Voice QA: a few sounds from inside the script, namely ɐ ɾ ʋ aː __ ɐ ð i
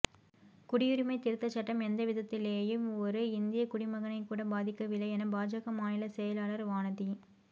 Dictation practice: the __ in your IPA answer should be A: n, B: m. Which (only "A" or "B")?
A